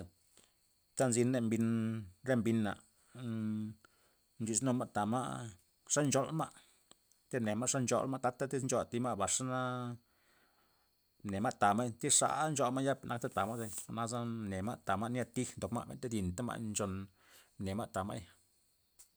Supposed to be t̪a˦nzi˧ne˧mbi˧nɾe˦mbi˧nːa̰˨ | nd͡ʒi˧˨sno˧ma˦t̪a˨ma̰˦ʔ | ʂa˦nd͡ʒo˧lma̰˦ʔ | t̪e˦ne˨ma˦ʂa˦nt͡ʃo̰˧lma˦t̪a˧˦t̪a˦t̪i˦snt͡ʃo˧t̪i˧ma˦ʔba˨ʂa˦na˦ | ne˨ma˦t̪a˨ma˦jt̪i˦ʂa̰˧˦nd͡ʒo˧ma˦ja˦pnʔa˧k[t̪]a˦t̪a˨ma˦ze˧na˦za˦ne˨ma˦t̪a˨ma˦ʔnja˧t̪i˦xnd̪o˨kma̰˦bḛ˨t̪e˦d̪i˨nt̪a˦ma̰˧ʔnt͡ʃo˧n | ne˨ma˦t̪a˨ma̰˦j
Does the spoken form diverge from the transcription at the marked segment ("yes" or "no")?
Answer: no